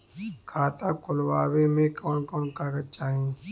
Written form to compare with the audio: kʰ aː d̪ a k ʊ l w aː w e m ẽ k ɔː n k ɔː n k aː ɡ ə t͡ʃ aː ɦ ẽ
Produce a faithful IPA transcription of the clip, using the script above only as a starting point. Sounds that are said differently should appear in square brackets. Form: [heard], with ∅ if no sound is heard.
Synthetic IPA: kʰ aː [t̪] a k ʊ l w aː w e m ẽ k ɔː n k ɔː n k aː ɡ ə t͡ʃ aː ɦ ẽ